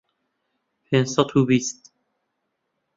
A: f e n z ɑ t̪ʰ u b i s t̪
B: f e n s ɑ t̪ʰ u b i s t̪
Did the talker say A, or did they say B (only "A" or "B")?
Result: B